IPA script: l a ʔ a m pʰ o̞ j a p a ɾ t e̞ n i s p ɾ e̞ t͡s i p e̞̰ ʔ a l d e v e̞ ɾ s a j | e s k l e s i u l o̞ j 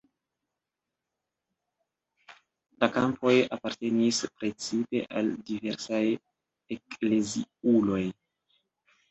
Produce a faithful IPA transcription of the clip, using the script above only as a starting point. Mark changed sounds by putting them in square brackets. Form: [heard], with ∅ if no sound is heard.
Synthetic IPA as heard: l a [k] a m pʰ o̞ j a p a ɾ t e̞ n i s p ɾ e̞ t͡s i p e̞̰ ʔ a l d [i] v e̞ ɾ s a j | e [∅] k l e [z] i u l o̞ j